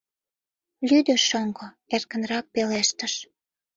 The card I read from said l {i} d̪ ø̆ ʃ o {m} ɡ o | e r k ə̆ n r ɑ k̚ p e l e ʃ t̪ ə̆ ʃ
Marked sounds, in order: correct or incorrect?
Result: incorrect: y, incorrect: ŋ

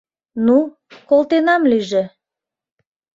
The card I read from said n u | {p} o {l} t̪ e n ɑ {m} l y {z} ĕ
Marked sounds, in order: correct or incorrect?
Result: incorrect: k, correct, correct, incorrect: ʒ

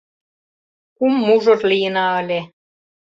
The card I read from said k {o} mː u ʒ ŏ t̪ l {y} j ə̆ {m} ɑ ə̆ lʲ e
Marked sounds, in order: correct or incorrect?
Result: incorrect: u, incorrect: i, incorrect: n

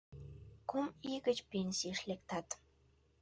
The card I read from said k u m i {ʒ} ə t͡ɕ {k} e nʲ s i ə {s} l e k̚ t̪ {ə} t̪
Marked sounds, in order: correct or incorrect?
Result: incorrect: ɣ, incorrect: p, incorrect: ʃ, incorrect: ɑ

